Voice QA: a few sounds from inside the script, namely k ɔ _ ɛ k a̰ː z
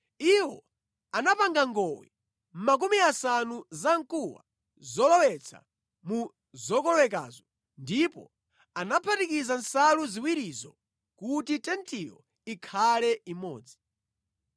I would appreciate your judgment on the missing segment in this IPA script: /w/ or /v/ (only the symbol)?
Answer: w